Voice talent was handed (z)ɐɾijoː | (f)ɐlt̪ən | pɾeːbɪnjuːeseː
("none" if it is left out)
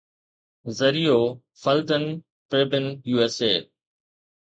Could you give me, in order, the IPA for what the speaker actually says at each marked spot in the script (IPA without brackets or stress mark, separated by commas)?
z, f